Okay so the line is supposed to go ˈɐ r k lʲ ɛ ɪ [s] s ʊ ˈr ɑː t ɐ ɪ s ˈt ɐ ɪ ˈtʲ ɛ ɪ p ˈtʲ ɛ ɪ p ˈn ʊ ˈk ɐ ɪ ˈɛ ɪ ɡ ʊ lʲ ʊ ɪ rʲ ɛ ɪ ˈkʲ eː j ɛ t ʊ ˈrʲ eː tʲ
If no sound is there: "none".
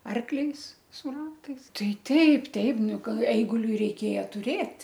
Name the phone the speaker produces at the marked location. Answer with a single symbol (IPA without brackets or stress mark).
s